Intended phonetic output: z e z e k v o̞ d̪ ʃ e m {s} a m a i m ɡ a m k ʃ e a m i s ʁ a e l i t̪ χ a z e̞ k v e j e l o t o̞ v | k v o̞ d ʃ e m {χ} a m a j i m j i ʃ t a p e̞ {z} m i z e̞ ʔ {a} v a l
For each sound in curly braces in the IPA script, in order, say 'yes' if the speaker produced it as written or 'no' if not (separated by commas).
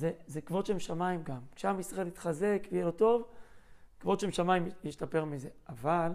no, no, no, yes